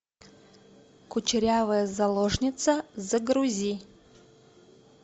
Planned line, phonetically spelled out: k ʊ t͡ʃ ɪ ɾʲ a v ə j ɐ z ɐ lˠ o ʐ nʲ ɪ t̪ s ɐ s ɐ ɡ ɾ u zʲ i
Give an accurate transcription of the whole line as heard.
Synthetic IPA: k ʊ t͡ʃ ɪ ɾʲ a v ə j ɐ z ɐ lˠ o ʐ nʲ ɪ t̪ s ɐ z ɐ ɡ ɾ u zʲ i